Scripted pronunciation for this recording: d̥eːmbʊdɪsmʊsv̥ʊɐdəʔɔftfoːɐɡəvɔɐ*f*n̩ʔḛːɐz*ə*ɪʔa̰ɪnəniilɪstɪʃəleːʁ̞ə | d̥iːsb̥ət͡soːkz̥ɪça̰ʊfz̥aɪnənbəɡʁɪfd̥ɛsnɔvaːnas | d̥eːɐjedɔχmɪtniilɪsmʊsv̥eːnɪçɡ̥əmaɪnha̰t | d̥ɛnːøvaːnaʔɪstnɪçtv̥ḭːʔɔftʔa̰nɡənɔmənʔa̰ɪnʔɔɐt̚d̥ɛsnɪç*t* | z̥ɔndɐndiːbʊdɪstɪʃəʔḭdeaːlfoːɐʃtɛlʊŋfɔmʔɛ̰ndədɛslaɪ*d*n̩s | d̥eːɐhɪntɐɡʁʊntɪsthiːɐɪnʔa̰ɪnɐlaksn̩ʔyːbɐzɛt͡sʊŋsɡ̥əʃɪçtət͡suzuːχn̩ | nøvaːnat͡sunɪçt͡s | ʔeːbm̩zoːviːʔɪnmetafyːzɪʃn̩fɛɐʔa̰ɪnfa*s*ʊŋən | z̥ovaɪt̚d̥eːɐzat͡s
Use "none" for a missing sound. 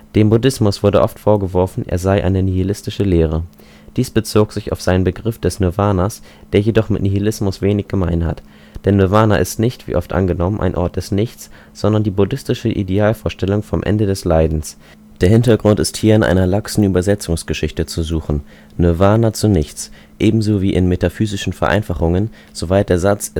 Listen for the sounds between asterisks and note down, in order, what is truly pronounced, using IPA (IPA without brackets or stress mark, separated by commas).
f, a, t͡s, d, χ